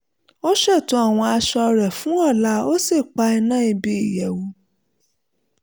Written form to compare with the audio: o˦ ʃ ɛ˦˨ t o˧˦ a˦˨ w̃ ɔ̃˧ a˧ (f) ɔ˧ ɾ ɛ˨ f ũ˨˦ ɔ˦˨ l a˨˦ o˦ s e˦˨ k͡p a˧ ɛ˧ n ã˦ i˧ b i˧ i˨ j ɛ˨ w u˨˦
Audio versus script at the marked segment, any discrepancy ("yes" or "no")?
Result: yes